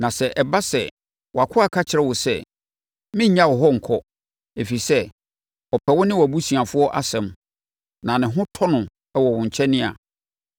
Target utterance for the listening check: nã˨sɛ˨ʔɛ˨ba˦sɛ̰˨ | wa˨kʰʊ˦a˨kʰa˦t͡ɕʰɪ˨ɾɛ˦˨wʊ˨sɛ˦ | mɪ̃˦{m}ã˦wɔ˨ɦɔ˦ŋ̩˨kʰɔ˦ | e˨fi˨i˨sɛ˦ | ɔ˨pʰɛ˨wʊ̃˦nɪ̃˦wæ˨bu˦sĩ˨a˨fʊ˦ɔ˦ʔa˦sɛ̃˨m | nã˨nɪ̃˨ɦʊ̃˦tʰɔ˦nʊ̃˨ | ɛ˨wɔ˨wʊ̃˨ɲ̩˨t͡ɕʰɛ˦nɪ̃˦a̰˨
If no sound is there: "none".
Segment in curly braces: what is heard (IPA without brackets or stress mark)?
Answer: ɲ